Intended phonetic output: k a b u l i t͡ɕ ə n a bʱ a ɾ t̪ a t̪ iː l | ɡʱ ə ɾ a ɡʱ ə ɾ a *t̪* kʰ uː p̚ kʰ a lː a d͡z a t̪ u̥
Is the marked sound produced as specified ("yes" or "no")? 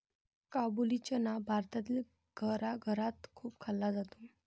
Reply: yes